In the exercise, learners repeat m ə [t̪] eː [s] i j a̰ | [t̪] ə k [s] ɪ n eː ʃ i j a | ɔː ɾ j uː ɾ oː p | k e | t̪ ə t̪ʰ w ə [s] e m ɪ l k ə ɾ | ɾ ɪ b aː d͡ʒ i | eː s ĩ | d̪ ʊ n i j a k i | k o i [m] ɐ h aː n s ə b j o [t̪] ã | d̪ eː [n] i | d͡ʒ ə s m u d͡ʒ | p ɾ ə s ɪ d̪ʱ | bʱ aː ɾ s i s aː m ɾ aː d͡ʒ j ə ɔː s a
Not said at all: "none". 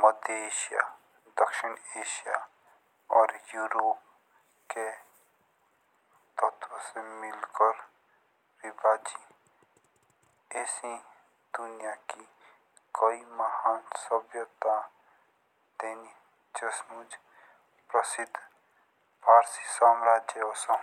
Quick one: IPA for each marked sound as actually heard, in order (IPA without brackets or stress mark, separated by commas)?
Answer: d̪, ʃ, d̪, ʃ, s, m, t̪, n